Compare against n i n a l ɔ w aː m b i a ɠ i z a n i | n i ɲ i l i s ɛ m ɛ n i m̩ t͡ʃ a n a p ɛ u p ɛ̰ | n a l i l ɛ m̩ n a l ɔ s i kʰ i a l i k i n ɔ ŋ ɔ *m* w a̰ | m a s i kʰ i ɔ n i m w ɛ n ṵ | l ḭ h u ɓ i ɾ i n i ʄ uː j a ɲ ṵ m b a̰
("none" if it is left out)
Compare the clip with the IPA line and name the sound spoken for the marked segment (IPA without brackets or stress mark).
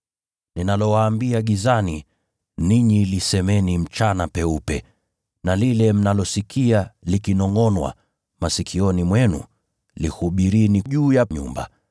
n